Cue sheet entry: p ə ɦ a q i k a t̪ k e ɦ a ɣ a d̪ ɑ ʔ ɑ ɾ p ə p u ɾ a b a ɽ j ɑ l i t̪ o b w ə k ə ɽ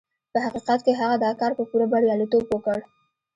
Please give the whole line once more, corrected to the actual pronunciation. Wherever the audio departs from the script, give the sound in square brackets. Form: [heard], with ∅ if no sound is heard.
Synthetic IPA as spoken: p ə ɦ a q i [q] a t̪ k e ɦ a ɣ a d̪ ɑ [k] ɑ ɾ p ə p u ɾ a b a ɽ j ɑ l i t̪ o b w ə k ə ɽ